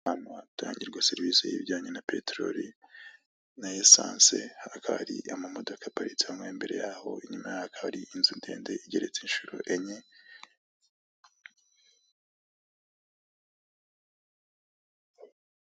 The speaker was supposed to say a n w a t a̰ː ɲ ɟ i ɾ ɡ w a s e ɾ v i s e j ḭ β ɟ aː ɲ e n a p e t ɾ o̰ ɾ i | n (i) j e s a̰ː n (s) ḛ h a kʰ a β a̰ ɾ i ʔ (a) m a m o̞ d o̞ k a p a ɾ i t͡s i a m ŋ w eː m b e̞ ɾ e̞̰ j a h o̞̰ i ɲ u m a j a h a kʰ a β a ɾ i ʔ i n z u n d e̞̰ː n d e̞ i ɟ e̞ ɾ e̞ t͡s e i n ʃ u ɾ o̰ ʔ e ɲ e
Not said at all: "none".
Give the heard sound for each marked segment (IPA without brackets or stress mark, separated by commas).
a, s, a